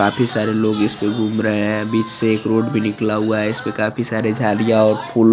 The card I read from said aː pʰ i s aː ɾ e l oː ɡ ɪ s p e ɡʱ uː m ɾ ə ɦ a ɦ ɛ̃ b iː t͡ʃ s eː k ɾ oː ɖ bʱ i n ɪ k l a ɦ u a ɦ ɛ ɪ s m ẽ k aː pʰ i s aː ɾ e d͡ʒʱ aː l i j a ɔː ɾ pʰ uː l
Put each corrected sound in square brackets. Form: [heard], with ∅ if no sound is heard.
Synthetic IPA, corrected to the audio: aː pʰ i s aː ɾ e l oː ɡ ɪ s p e ɡʱ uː m ɾ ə ɦ [e] ɦ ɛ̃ b iː t͡ʃ s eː k ɾ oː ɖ bʱ i n ɪ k l a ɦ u a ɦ ɛ ɪ s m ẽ k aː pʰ i s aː ɾ e d͡ʒʱ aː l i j a ɔː ɾ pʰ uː l

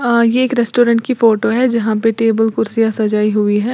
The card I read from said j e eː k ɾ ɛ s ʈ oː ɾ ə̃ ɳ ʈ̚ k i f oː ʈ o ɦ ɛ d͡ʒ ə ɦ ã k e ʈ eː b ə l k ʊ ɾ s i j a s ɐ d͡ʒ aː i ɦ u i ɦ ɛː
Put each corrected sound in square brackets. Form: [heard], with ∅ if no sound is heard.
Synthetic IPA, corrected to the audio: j e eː k ɾ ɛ s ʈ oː ɾ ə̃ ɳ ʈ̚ k i f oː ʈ o ɦ ɛ d͡ʒ [ɐ] ɦ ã [p] e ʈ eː b ə l k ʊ ɾ s i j a s ɐ d͡ʒ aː i ɦ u i ɦ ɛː

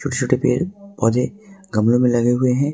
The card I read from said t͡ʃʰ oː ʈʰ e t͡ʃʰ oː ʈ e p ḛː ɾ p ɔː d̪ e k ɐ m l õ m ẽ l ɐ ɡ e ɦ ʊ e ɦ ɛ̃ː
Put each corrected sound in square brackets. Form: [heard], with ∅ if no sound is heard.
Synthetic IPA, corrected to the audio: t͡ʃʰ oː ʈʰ e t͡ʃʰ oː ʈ e p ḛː ɾ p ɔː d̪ e [ɡ] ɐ m l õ m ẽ l ɐ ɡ e ɦ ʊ e ɦ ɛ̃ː

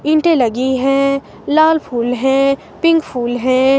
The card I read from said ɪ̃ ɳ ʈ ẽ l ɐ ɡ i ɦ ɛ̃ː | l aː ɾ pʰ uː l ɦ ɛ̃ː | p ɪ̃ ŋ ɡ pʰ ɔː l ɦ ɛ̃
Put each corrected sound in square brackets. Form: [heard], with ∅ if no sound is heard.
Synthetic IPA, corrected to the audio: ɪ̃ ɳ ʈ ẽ l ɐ ɡ i ɦ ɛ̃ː | l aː [l] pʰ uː l ɦ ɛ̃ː | p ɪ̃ ŋ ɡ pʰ [uː] l ɦ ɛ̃

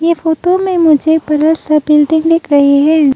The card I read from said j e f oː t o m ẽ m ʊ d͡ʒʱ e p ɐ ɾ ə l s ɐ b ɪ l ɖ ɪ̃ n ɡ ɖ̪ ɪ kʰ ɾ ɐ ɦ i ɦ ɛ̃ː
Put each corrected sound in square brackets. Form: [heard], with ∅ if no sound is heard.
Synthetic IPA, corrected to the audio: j e f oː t o m ẽ m ʊ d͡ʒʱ e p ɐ ɾ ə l s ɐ b ɪ l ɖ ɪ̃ [ŋ] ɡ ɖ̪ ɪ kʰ ɾ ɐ ɦ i ɦ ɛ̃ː

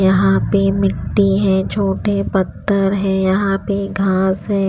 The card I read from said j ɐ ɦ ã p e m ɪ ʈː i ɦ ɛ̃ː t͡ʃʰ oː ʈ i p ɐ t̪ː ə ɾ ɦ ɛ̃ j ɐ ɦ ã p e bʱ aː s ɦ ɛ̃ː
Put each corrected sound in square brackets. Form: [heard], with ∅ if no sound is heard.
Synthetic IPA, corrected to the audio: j ɐ ɦ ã p e m ɪ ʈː i ɦ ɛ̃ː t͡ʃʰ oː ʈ [e] p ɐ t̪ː ə ɾ ɦ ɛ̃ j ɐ ɦ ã p e [ɡʱ] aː s ɦ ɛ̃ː

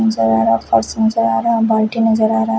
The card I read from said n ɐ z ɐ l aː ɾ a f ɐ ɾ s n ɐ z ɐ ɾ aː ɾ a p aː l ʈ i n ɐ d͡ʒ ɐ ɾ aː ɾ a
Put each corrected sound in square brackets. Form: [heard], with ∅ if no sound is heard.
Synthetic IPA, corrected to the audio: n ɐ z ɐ [ɾ] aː ɾ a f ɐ ɾ s n ɐ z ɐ ɾ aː ɾ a [b] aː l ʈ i n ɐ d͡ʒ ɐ ɾ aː ɾ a

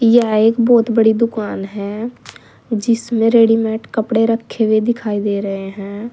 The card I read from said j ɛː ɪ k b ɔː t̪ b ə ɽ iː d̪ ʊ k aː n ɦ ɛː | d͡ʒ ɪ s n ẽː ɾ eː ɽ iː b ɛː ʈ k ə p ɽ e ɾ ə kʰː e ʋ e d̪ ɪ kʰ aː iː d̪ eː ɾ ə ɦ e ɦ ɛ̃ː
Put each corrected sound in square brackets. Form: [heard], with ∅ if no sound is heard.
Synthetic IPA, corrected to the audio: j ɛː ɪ k b ɔː t̪ b ə ɽ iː d̪ ʊ k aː n ɦ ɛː | d͡ʒ ɪ s [m] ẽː ɾ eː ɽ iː [m] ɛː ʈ k ə p ɽ e ɾ ə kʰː e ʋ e d̪ ɪ kʰ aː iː d̪ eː ɾ ə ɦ e ɦ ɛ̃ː

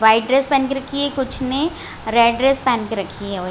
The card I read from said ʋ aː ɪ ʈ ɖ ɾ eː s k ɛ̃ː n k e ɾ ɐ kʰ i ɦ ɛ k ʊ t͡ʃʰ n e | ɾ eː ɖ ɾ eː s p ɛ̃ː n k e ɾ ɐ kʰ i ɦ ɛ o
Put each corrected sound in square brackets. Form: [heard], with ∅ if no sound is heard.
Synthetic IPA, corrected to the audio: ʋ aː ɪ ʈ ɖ ɾ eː s [p] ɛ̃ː n k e ɾ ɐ kʰ i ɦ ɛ k ʊ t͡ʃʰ n e | ɾ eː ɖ ɾ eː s p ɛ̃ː n k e ɾ ɐ kʰ i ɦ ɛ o

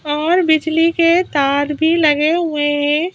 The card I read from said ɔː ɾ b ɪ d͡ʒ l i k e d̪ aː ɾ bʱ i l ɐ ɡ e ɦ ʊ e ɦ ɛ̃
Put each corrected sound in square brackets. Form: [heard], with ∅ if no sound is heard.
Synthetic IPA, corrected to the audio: ɔː ɾ b ɪ d͡ʒ l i k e [t̪] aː ɾ bʱ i l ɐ ɡ e ɦ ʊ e ɦ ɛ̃

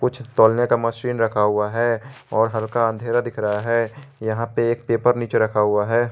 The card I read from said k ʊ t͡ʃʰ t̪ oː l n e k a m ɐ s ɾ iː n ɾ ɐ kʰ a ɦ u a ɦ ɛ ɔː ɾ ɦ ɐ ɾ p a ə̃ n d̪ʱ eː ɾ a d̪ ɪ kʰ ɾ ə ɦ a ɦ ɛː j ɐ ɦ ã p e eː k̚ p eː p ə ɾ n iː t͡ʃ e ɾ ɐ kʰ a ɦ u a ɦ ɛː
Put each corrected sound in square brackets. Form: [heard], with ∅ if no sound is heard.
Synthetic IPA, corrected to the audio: k ʊ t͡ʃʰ t̪ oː l n e k a m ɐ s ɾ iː n ɾ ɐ kʰ a ɦ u a ɦ ɛ ɔː ɾ ɦ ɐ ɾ [k] a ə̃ n d̪ʱ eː ɾ a d̪ ɪ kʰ ɾ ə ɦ a ɦ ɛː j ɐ ɦ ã p e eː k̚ p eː p ə ɾ n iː t͡ʃ e ɾ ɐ kʰ a ɦ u a ɦ ɛː

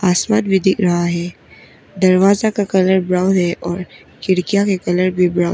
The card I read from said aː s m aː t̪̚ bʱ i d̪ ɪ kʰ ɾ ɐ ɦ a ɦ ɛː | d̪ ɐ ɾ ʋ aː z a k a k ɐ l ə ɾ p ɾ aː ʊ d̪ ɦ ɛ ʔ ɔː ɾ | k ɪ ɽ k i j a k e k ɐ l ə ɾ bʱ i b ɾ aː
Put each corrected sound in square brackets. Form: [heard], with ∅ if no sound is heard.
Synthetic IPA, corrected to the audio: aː s m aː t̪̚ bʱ i d̪ ɪ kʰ ɾ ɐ ɦ a ɦ ɛː | d̪ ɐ ɾ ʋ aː z a k a k ɐ l ə ɾ [b] ɾ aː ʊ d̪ ɦ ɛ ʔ ɔː ɾ | k ɪ ɽ k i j a k e k ɐ l ə ɾ bʱ i b ɾ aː

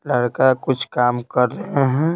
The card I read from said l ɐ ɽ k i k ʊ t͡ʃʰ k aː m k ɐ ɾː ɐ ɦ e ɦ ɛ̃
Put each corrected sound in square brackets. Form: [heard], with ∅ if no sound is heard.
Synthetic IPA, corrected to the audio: l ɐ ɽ k [a] k ʊ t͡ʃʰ k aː m k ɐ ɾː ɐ ɦ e ɦ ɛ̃

